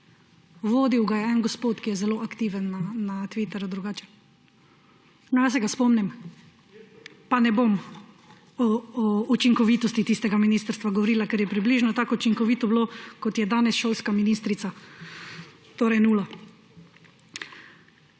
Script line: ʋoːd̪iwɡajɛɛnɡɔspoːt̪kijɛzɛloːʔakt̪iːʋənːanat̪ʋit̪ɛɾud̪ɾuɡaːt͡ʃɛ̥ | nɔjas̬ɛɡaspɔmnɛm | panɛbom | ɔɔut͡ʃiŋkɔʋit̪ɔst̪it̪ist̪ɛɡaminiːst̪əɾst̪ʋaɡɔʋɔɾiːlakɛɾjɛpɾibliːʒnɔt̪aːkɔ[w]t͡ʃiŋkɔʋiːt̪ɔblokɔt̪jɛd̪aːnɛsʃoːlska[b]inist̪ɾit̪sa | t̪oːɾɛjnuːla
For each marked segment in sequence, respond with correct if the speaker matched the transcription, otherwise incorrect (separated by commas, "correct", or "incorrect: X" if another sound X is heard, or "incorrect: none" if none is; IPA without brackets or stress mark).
incorrect: u, incorrect: m